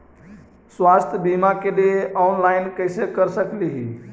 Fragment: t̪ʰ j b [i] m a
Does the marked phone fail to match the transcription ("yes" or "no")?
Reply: no